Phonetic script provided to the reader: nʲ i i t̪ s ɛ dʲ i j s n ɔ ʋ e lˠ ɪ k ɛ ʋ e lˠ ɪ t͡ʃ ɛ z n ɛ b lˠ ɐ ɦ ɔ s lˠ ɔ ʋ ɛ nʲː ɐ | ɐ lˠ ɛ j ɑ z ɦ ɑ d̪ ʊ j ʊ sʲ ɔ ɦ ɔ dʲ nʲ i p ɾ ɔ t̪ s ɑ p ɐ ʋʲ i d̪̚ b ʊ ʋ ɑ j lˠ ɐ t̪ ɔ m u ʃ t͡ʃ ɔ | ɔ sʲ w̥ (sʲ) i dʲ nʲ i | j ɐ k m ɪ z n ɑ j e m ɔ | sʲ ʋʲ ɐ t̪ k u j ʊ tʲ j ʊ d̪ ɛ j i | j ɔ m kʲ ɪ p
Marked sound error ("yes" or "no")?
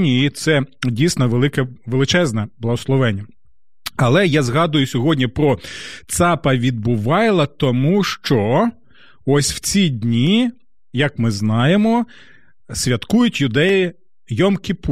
yes